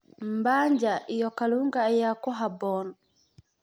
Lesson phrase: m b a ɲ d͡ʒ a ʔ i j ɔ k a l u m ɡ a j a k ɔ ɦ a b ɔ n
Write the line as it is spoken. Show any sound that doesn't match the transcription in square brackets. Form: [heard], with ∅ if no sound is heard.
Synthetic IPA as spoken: m b a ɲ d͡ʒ a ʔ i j ɔ k a l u [ŋ] ɡ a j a k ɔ ɦ a b ɔ n

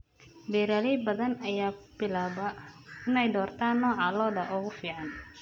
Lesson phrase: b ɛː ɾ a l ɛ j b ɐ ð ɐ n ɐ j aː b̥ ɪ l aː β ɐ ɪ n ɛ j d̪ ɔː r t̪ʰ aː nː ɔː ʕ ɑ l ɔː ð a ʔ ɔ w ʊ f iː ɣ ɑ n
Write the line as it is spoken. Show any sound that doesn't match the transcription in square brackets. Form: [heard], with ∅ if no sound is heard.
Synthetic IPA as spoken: b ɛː ɾ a l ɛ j b ɐ ð ɐ n ɐ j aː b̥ ɪ l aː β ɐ ɪ n ɛ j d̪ ɔː r t̪ʰ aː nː ɔː ʕ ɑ l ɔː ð [ɐ] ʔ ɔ [ɣ] ʊ f iː [ʕ] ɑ n

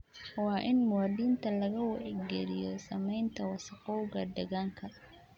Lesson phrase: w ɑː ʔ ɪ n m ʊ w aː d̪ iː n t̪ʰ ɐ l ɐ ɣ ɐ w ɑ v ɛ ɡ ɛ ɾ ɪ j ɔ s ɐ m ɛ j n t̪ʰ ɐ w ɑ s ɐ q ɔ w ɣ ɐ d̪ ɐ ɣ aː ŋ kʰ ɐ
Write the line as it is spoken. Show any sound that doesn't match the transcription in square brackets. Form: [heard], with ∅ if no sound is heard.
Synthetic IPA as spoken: w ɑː ʔ ɪ n m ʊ w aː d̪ iː n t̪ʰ ɐ l ɐ ɣ ɐ w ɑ [ʕ] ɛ ɡ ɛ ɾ ɪ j ɔ s ɐ m ɛ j n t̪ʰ ɐ w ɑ s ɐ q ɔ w ɣ ɐ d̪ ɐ ɣ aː ŋ kʰ ɐ

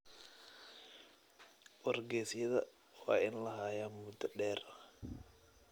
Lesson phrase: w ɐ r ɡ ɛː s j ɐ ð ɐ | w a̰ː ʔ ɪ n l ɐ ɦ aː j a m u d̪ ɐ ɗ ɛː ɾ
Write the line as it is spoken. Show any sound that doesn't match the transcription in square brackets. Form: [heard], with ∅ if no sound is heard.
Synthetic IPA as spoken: w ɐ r ɡ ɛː s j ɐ ð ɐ | w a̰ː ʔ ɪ n l ɐ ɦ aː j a m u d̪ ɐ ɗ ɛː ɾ

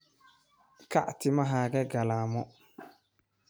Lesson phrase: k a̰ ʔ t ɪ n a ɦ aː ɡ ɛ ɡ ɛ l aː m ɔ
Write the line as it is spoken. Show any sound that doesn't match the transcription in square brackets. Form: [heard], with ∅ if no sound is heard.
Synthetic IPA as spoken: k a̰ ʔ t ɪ [m] a ɦ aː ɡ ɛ ɡ [a] l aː m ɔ

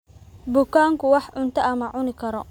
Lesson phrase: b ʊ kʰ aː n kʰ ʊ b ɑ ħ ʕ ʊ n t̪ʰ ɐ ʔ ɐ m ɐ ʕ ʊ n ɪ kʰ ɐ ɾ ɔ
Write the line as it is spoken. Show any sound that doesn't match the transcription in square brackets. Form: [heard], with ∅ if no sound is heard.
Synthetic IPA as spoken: b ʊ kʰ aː [ŋ] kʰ ʊ [w] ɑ ħ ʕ ʊ n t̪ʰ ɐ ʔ ɐ m ɐ ʕ ʊ n ɪ kʰ ɐ ɾ ɔ

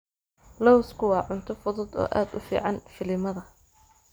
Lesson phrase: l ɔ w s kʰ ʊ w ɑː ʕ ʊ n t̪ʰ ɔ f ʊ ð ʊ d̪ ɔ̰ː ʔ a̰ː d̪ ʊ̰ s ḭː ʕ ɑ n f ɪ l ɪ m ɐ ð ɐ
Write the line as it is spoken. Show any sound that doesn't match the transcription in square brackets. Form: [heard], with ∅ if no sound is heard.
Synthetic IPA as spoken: l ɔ w s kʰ ʊ w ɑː ʕ ʊ n t̪ʰ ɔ f ʊ ð ʊ d̪ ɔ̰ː ʔ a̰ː d̪ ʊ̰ [f] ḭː ʕ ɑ n f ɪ l ɪ m ɐ ð ɐ

